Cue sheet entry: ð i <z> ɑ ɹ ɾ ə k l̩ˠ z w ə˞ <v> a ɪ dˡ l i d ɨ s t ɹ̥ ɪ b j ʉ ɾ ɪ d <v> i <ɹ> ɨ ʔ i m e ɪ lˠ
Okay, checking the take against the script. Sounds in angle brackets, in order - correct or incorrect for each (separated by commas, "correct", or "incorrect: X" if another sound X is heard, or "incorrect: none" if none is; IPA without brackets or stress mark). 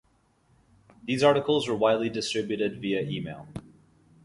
correct, incorrect: w, correct, incorrect: none